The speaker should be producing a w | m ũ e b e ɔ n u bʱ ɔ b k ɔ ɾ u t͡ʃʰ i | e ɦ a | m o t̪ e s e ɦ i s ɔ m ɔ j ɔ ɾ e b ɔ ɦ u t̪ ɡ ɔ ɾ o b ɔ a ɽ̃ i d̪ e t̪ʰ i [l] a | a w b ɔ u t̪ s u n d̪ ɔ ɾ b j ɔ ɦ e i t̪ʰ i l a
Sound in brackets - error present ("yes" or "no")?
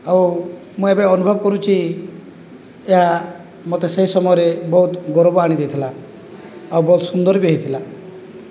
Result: no